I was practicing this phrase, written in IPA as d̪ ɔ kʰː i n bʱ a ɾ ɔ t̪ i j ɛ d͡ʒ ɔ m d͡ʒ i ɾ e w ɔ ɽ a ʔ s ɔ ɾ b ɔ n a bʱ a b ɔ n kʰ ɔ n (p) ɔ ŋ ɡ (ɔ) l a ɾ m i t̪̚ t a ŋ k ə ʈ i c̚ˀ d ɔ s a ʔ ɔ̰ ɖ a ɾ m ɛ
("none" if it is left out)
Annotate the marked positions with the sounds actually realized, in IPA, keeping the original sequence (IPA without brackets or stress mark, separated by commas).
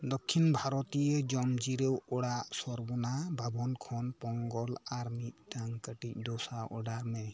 p, ɔ